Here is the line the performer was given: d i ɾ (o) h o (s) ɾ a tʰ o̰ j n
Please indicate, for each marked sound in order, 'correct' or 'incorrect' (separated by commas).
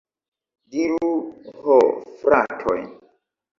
incorrect, incorrect